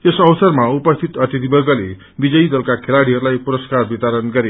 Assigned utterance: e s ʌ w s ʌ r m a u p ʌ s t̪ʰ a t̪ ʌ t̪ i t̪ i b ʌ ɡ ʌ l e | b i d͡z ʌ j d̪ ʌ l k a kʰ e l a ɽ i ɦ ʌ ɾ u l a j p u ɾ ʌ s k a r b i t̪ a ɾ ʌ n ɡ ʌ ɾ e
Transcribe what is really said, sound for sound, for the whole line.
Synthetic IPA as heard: e s ʌ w s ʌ r m a u p ʌ s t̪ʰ i t̪ ʌ t̪ i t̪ i b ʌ ɡ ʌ l e | b i d͡z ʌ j d̪ ʌ l k a kʰ e l a ɽ i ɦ ʌ ɾ u l a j p u ɾ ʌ s k a r b i t̪ a ɾ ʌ n ɡ ʌ ɾ e

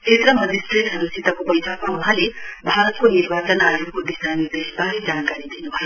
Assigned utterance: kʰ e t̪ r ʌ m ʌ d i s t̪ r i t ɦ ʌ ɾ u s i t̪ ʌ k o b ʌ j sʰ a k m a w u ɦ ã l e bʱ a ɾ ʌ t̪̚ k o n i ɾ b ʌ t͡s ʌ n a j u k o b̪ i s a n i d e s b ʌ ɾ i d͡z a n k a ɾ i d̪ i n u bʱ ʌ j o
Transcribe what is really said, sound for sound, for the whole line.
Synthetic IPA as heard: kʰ e t̪ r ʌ m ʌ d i s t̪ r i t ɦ ʌ ɾ u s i t̪ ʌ k o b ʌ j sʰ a k m a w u ɦ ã l e bʱ a ɾ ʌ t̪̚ k o n i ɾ b a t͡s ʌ n a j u k o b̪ i s a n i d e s b a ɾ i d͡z a n k a ɾ i d̪ i n u bʱ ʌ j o

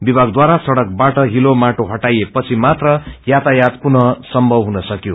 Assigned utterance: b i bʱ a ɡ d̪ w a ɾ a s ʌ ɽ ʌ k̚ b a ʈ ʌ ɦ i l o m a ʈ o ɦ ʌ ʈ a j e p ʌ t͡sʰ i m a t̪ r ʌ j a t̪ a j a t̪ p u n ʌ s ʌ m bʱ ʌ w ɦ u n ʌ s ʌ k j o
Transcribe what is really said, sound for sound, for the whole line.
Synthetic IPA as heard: b i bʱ a ɡ d̪ w a ɾ a s ʌ ɽ ʌ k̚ b a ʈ ʌ ɦ i l o m a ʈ o ɦ ʌ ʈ a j e p ʌ t͡sʰ i m a t̪ r ʌ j a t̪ a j a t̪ p u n ʌ s ʌ m bʱ ʌ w ɦ u n ʌ s ʌ k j o

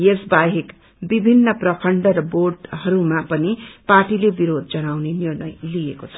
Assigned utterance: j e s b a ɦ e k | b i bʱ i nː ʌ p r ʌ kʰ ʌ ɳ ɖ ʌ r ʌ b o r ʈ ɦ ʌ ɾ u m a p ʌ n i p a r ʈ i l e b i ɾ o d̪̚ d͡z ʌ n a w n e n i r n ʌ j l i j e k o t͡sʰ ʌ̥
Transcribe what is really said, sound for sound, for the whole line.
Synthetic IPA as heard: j e s b a ɦ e k | b i bʱ i nː ʌ p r ʌ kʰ ʌ ɳ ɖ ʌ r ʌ b o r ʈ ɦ ʌ ɾ u m a p ʌ n i p a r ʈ i l e b i ɾ o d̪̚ d͡z ʌ n a w n e n i r n ʌ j l i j e k o t͡sʰ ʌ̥

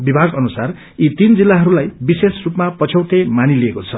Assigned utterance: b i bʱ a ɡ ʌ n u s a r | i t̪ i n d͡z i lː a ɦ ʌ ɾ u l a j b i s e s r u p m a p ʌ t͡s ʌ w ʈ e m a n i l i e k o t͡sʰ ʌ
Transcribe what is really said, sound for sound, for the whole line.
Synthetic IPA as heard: b i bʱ a ɡ ʌ n u s a r | i t̪ i n d͡z i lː a ɦ ʌ ɾ u l a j b i s e s r u p m a p ʌ t͡sʰ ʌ w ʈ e m a n i l i e k o t͡sʰ ʌ

